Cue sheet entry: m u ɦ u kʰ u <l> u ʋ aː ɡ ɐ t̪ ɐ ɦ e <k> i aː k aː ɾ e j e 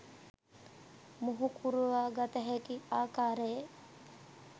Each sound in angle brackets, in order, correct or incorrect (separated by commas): incorrect, correct